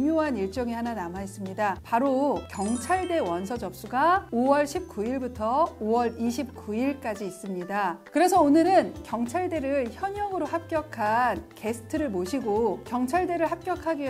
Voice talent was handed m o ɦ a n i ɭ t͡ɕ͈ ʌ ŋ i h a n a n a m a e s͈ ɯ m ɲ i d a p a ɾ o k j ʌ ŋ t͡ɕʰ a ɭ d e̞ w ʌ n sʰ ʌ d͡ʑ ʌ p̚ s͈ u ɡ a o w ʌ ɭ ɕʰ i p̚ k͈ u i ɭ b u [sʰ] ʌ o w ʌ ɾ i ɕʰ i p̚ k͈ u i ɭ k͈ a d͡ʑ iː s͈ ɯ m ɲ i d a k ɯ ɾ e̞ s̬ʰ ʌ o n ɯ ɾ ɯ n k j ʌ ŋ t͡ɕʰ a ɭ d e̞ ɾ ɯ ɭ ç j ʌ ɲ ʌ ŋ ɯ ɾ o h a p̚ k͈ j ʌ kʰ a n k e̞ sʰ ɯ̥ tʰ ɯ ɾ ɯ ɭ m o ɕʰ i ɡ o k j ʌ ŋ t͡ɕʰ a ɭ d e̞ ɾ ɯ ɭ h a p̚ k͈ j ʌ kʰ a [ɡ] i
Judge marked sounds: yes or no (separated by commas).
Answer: no, yes